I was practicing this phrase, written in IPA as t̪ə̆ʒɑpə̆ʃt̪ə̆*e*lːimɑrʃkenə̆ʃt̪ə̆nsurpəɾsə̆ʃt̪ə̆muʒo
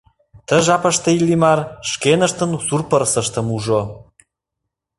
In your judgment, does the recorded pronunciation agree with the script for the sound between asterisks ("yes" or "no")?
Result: no